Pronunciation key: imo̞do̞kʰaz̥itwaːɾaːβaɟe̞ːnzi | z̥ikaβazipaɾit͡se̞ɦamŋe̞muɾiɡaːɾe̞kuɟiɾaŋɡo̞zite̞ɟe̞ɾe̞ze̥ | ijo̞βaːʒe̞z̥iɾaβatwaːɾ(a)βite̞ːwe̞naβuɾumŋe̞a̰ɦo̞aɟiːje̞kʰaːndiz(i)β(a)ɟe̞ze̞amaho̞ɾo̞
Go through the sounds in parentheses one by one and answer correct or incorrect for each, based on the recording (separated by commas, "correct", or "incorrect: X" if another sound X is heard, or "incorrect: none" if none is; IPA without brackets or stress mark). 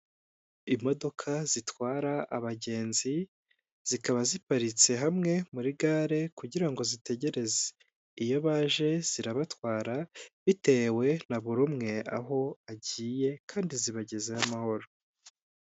correct, correct, correct